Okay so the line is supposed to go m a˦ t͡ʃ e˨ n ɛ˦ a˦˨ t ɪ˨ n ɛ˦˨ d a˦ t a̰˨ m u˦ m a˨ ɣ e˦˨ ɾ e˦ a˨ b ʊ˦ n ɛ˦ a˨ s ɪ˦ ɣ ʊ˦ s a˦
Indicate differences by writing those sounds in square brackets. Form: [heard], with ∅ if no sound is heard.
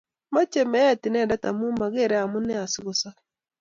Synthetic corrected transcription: m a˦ t͡ʃ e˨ [m] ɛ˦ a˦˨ t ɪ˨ n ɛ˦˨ d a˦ t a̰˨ m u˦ m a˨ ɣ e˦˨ ɾ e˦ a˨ [m] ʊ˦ n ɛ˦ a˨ s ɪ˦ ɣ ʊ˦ s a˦